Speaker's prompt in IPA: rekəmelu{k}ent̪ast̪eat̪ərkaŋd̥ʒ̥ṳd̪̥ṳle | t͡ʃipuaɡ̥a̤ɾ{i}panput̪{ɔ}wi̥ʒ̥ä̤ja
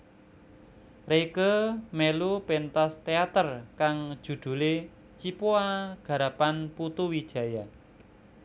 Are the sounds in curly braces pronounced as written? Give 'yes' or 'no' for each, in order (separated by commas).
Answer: no, no, no